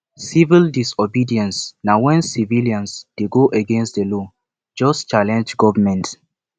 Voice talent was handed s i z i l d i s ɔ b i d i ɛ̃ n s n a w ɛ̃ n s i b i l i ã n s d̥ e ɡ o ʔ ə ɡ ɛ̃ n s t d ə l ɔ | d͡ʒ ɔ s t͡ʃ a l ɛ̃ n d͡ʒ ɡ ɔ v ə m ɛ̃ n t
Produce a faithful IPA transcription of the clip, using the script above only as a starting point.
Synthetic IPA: s i v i l d i s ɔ b i d i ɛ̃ n s n a w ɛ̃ n s i v i l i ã n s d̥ e ɡ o ʔ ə ɡ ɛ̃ n s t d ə l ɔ | d͡ʒ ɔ s t͡ʃ a l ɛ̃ n d͡ʒ ɡ ɔ v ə m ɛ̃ n t